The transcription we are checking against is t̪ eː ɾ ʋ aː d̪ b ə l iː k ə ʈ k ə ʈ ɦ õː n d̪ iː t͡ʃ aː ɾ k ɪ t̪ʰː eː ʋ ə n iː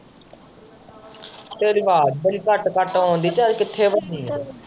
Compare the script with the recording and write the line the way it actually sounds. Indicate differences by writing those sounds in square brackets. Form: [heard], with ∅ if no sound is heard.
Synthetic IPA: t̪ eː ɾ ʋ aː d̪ b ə l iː k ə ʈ k ə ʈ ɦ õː n d̪ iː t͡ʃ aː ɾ k ɪ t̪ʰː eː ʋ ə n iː